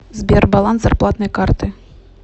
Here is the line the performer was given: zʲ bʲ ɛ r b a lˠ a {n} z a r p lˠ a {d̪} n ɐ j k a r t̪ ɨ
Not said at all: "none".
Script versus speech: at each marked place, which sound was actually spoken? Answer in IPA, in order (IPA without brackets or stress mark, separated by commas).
n, t̪